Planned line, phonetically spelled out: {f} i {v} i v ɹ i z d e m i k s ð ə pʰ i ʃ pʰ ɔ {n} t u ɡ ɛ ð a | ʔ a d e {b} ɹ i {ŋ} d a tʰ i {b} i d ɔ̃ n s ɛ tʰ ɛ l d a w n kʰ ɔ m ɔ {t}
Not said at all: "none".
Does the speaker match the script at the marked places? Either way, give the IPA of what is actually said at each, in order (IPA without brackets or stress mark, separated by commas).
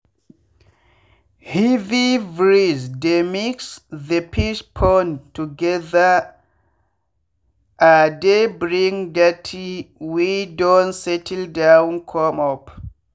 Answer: h, v, n, b, ŋ, w, p